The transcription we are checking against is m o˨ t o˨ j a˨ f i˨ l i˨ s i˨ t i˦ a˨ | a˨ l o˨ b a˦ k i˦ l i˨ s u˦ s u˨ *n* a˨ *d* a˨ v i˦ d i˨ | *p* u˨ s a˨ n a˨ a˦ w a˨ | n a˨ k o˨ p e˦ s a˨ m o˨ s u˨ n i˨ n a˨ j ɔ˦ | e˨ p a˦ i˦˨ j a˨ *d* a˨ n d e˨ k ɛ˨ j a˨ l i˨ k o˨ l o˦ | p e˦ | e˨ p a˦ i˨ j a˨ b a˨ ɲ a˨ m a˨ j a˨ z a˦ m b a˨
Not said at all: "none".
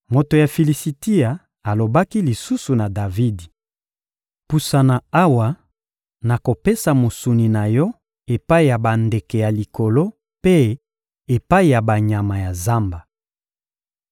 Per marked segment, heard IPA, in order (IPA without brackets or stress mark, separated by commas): n, d, p, b